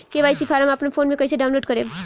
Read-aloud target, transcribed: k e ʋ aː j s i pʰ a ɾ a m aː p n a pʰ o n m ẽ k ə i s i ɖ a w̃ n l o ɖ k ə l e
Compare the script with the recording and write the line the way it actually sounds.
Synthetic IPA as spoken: k e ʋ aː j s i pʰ a ɾ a m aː p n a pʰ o n m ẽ k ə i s e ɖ a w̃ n l o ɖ k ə ɾ e